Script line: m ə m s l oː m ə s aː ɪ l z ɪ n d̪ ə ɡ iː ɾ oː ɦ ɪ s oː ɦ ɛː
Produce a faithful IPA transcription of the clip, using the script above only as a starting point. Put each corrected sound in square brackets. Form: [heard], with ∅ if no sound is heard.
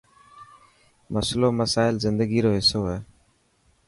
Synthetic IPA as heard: m ə [∅] s l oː m ə s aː ɪ l z ɪ n d̪ ə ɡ iː ɾ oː ɦ ɪ s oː ɦ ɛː